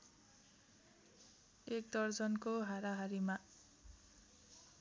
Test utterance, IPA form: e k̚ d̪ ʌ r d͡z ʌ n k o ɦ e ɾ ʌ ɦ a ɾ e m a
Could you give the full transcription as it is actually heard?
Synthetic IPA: e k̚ d̪ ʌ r d͡z ʌ n k o ɦ a ɾ a ɦ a ɾ i m a